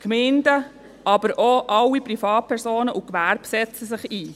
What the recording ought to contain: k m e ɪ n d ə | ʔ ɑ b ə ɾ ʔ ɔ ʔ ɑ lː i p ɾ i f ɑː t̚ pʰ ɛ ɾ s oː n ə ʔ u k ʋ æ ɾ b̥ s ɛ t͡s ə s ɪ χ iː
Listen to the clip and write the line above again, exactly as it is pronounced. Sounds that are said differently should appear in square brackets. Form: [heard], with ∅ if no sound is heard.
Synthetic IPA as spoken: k m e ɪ n d ə | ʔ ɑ b ə ɾ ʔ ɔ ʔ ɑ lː i p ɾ i f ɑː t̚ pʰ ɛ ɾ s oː n ə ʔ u k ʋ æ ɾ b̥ s ɛ t͡s ə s ɪ χ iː